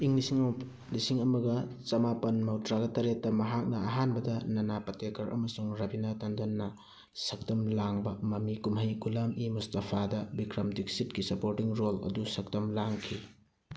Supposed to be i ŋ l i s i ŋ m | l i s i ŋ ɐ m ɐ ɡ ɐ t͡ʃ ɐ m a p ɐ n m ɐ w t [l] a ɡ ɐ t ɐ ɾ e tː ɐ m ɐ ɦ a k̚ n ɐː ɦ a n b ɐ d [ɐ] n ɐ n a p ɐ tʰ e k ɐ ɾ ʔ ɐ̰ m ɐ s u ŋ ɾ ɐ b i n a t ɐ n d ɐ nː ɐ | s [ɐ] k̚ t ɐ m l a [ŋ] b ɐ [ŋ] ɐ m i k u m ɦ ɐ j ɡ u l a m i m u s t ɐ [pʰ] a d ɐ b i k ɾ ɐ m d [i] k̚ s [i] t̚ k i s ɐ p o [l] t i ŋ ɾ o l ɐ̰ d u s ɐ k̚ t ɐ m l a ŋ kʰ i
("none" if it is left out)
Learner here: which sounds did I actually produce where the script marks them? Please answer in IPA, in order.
ɾ, ɐ, ɐ, ŋ, m, pʰ, i, i, ɾ

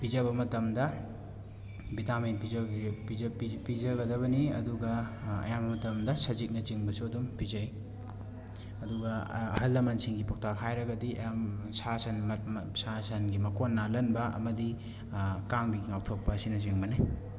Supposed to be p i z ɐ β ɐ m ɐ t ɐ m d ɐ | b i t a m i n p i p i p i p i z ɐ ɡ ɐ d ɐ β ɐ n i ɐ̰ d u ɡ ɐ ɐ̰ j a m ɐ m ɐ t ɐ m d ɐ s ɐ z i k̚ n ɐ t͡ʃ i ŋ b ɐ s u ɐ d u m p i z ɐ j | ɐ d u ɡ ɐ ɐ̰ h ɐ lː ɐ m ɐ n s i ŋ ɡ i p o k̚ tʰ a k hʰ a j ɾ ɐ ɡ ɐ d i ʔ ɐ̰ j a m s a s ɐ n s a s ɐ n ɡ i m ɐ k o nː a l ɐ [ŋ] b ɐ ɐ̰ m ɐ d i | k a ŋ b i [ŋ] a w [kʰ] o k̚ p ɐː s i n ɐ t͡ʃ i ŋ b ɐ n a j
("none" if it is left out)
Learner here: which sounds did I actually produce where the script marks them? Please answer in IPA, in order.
n, ŋ, tʰ

